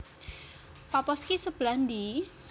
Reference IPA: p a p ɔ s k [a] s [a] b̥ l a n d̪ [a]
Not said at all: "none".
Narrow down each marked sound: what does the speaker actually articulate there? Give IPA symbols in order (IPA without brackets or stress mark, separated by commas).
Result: i, ə, i